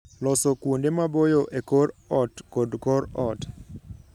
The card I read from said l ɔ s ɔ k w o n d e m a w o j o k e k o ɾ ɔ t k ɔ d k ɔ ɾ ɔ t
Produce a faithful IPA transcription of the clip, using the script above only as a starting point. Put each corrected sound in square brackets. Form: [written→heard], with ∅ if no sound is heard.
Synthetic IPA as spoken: l ɔ s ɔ k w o n d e m a [w→b] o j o [k→ʔ] e k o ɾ ɔ t k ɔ d k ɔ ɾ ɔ t